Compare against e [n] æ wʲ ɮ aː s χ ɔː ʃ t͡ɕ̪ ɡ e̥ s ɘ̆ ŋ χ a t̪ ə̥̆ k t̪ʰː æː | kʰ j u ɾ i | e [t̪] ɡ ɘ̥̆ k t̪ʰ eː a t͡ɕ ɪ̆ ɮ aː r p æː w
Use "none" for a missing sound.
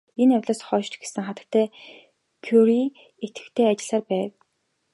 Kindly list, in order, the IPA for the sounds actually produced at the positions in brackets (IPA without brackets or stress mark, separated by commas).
n, t̪